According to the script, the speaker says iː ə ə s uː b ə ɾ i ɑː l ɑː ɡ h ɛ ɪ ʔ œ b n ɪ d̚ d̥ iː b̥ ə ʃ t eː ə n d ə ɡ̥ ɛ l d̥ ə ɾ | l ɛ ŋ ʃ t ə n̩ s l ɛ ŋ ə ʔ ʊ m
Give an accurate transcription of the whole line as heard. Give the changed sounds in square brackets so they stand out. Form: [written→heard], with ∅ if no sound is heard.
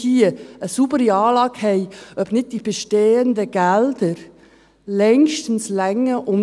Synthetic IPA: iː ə ə s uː b ə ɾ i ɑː l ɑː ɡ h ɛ ɪ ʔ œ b n ɪ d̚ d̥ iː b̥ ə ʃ t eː ə n d ə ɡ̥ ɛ l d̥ ə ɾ | l ɛ ŋ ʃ t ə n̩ s l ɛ ŋ ə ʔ ʊ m